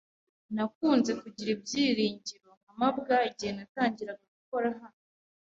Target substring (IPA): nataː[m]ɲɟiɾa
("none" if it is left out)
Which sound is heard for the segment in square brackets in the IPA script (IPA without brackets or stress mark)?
none